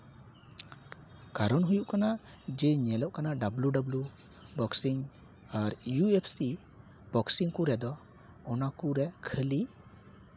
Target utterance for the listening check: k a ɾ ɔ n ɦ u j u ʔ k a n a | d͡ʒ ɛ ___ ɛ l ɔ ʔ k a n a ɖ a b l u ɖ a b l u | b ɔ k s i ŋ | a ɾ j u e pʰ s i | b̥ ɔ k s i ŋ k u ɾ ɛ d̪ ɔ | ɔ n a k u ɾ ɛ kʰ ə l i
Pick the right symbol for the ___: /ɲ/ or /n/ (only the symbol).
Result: ɲ